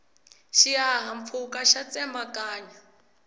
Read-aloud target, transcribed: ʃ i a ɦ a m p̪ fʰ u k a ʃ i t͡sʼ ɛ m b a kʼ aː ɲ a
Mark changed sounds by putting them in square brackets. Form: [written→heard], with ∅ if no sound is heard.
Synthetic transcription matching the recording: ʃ i a ɦ a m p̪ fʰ u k a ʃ [i→a] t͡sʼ ɛ m b a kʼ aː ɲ a